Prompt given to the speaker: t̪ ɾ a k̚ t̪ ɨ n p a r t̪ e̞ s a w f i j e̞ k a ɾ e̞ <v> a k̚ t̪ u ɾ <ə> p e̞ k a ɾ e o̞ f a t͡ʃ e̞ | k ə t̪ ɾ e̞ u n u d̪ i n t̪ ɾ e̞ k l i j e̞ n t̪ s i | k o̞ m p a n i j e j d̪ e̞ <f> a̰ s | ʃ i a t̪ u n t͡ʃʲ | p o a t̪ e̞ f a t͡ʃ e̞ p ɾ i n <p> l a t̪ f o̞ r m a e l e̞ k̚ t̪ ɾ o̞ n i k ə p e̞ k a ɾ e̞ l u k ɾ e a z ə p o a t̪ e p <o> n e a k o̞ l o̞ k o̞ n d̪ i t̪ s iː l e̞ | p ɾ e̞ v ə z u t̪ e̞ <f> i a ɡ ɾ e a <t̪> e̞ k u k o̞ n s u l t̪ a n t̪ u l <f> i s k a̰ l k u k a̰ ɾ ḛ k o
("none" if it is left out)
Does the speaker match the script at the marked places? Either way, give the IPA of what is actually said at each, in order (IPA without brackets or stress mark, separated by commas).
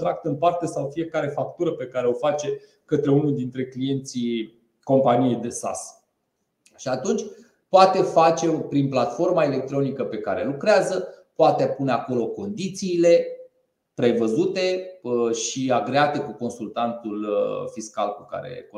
f, ə, s, p, u, ʃ, t̪, f